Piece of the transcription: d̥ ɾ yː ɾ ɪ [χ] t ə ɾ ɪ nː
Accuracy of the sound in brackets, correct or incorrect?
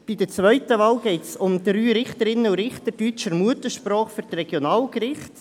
correct